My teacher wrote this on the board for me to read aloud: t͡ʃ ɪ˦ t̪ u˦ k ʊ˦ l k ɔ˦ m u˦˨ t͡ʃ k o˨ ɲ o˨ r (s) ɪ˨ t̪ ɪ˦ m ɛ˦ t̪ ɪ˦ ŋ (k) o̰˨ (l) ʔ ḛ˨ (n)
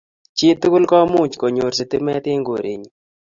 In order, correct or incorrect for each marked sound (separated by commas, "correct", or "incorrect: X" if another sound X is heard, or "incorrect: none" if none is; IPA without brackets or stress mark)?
correct, incorrect: ɡ, incorrect: ɾ, incorrect: ɲ